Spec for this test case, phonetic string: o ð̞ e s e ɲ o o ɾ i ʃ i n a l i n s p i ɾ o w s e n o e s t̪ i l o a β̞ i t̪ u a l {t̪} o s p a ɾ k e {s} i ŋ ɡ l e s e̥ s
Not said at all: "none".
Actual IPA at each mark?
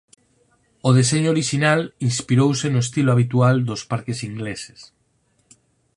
d̪, s

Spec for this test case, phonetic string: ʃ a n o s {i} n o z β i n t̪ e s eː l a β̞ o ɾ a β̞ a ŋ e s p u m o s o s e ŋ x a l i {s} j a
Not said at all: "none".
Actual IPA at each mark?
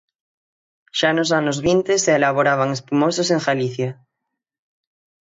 a, θ

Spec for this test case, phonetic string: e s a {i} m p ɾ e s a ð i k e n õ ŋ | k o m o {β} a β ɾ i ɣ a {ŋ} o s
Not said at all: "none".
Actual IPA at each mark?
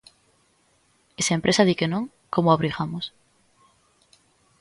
e, none, m

